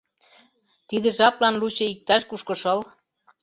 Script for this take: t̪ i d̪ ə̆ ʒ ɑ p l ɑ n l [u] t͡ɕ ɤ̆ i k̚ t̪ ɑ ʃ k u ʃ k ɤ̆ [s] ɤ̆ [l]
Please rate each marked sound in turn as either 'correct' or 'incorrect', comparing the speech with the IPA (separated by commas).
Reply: correct, incorrect, correct